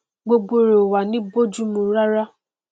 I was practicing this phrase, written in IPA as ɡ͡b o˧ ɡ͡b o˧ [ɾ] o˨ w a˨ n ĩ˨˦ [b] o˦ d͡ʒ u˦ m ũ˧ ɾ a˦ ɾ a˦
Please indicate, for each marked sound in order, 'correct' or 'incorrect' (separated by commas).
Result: correct, correct